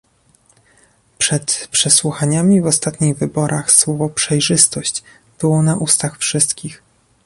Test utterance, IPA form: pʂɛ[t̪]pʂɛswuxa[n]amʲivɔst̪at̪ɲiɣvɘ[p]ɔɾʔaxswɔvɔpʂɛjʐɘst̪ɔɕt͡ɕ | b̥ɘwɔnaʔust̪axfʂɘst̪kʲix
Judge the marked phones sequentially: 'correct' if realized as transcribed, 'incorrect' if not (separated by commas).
correct, incorrect, incorrect